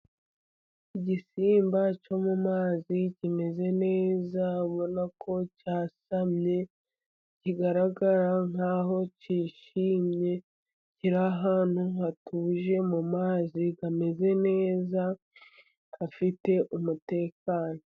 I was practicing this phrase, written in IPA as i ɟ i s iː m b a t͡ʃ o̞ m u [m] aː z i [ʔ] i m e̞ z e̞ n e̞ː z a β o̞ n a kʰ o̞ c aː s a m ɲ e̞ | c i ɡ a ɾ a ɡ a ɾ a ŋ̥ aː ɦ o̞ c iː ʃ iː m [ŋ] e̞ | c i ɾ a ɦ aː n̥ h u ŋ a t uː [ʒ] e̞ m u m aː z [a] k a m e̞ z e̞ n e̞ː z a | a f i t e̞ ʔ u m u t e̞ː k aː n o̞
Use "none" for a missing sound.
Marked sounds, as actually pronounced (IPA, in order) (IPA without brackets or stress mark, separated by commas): m, c, ɲ, ʒ, i